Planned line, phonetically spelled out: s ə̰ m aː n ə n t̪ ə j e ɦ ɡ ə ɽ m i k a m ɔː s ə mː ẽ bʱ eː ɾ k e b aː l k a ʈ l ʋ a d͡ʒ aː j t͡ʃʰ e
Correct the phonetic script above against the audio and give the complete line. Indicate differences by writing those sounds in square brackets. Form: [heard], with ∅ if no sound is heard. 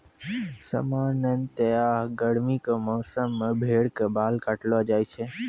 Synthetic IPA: s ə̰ m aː n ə n t̪ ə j [a] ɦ ɡ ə ɽ m i k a m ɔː s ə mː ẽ bʱ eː [ɽ] k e b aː l k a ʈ l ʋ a d͡ʒ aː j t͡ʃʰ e